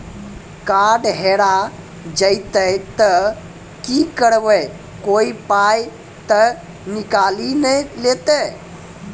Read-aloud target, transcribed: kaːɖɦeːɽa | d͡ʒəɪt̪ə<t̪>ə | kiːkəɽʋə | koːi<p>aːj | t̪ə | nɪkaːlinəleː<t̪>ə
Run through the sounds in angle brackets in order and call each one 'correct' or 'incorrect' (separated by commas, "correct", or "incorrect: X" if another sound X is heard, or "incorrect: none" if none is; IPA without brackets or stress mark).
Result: correct, correct, correct